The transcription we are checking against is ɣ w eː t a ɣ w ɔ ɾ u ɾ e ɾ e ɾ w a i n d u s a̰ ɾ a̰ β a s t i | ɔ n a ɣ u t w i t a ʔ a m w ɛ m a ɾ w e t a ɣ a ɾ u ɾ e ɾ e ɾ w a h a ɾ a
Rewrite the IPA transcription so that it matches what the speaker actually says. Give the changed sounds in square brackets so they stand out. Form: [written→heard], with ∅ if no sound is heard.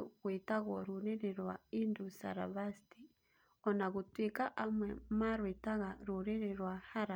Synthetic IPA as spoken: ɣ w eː t a ɣ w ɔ ɾ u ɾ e ɾ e ɾ w a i n d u s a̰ ɾ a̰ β a s t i | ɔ n a ɣ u t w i [t→k] a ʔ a m w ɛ m a ɾ w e t a ɣ a ɾ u ɾ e ɾ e ɾ w a h a ɾ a

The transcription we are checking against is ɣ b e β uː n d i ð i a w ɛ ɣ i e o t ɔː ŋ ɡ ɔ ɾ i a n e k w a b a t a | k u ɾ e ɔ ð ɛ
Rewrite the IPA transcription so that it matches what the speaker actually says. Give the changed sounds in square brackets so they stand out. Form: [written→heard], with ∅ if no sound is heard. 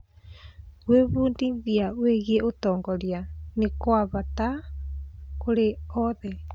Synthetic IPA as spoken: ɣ [b→w] e β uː n d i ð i a w [ɛ→e] ɣ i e o t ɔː ŋ ɡ ɔ ɾ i a n e k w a [b→β] a t a | k [u→o] ɾ e ɔ ð ɛ

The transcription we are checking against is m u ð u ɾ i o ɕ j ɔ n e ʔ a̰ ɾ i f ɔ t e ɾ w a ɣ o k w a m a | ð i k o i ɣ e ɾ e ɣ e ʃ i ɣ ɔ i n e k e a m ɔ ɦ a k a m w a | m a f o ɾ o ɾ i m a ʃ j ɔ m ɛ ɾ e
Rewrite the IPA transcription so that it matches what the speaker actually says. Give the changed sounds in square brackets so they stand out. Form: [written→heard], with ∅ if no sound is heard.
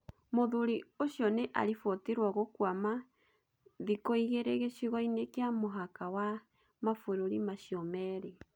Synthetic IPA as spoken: m [u→o] ð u ɾ i o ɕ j ɔ n e ʔ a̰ ɾ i f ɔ t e ɾ w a ɣ o k w a m a | ð i k o i ɣ e ɾ e ɣ e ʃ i ɣ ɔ i n e k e a m [ɔ→o] ɦ a k a [m→∅] w a | m a f o ɾ o ɾ i m a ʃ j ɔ m ɛ ɾ e

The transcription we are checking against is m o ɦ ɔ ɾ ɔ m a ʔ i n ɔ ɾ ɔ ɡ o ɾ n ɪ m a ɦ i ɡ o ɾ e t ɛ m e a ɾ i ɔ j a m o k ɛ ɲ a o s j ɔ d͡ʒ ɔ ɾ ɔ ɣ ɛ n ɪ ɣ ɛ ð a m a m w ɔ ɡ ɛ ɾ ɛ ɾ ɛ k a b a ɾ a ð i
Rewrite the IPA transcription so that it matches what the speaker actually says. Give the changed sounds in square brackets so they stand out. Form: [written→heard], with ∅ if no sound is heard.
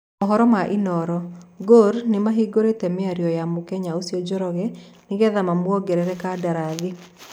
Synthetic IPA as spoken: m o ɦ ɔ ɾ ɔ m a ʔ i n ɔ ɾ ɔ ɡ o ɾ n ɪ m a ɦ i ɡ o ɾ e t ɛ m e a ɾ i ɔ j a m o k ɛ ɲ a o s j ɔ d͡ʒ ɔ ɾ ɔ ɣ ɛ n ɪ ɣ ɛ ð a m a m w ɔ ɡ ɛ ɾ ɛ ɾ ɛ k a [b→d] a ɾ a ð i

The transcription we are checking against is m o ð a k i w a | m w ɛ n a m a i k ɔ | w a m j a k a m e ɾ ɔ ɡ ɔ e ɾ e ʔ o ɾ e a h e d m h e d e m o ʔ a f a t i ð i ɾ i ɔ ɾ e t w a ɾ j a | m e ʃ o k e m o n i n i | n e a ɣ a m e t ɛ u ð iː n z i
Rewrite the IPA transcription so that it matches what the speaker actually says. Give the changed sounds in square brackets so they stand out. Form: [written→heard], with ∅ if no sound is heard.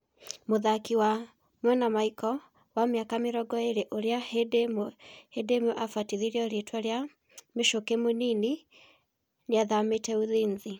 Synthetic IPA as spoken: m o ð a k i w a | m w ɛ n a m a i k ɔ | w a m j a k a m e ɾ ɔ ɡ ɔ e ɾ e ʔ o ɾ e a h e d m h e d e m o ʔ a f a t i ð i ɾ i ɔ ɾ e t w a ɾ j a | m e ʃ o k e m o n i n i | n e a [ɣ→ð] a m e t ɛ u ð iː n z i

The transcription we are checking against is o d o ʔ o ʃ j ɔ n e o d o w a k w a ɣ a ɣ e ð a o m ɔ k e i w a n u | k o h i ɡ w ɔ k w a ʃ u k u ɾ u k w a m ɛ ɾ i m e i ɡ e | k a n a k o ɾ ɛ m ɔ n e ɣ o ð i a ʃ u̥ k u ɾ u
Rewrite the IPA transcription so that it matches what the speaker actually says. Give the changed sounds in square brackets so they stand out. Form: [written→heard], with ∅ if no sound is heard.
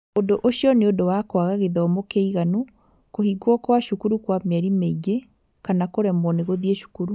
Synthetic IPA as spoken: o d o ʔ o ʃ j ɔ n e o d o w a k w a ɣ a ɣ e ð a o m [ɔ→o] k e i [w→ɣ] a n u | k o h i ɡ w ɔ k w a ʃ u k u ɾ u k w a m ɛ ɾ i m e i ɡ e | k a n a k o ɾ ɛ m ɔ n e ɣ o ð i [a→e] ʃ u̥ k u ɾ u

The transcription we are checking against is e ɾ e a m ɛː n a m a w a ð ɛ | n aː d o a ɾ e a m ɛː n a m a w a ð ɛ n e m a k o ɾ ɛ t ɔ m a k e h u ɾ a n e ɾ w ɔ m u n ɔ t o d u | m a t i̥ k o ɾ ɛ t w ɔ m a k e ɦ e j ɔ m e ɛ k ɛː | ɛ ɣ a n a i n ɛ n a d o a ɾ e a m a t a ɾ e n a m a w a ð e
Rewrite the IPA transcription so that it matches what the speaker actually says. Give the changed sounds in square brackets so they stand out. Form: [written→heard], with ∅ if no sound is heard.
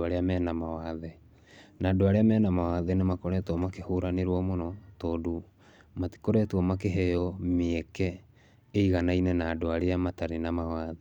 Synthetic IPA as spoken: [e→a] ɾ e a m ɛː n a m a w a ð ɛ | n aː d o a ɾ e a m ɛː n a m a w a ð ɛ n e m a k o ɾ ɛ t ɔ m a k e h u ɾ a n e ɾ w ɔ m [u→o] n ɔ t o d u | m a t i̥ k o ɾ ɛ t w ɔ m a k e ɦ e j ɔ m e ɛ k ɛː | [ɛ→i] ɣ a n a i n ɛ n a d o a ɾ e a m a t a ɾ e n a m a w a ð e

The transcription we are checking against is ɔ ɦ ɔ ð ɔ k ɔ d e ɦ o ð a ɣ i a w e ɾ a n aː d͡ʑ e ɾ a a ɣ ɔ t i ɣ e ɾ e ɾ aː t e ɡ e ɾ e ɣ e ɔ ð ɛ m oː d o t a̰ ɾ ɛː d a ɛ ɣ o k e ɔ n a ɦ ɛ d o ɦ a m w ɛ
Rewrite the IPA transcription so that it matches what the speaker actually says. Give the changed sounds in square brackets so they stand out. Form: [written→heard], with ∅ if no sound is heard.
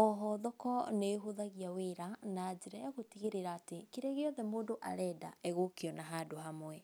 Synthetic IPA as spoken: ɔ ɦ ɔ ð ɔ k ɔ [d→n] e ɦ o ð a ɣ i a w e ɾ a n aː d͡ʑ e ɾ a a ɣ [ɔ→o] t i ɣ e ɾ e ɾ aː t e [ɡ→k] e ɾ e ɣ e ɔ ð ɛ m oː d o [t→ʔ] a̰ ɾ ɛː d a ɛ ɣ o k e ɔ n a ɦ [ɛ→a] d o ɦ a m w ɛ

